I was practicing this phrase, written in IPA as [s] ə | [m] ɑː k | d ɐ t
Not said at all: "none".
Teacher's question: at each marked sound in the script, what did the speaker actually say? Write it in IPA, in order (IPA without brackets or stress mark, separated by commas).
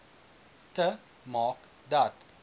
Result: t, m